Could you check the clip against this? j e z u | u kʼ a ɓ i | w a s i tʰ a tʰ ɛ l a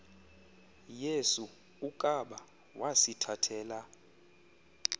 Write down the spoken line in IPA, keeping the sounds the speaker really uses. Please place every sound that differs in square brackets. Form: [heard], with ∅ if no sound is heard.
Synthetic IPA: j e [s] u | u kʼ a ɓ [a] | w a s i tʰ a tʰ [ɛː] l a